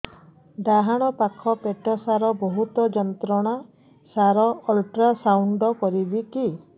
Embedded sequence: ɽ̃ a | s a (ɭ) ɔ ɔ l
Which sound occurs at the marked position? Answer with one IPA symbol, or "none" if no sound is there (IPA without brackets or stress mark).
ɾ